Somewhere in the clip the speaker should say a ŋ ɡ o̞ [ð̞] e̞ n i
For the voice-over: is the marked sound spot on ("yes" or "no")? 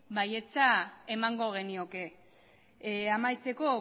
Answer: no